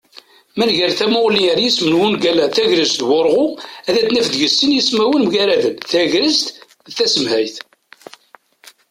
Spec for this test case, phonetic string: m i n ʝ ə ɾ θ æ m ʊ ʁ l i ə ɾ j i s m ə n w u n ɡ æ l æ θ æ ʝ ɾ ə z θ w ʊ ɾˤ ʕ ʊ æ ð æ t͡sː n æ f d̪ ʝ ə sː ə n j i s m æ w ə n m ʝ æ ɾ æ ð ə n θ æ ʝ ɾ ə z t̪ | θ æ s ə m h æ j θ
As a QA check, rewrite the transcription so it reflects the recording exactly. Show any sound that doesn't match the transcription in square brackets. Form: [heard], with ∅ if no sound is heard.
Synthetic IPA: m [æ] n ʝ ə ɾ θ æ m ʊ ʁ l i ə ɾ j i s m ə n w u n ɡ æ l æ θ æ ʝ ɾ ə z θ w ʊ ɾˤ [ʁ] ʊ æ ð æ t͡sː n æ f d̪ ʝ ə sː ə n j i s m æ w ə n m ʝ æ ɾ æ ð ə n θ æ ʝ ɾ ə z t̪ | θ æ s ə m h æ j θ